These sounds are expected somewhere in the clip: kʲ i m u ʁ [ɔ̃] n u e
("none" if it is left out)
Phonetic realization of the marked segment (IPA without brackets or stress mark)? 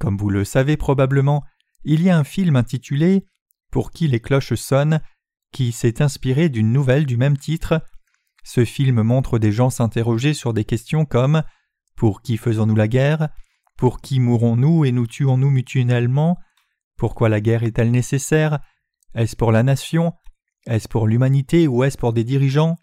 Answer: ɔ̃